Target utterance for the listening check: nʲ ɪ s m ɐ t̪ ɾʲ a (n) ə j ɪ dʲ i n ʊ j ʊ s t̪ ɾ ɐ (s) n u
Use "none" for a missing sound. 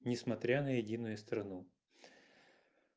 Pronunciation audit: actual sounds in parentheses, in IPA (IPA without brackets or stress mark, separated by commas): n, none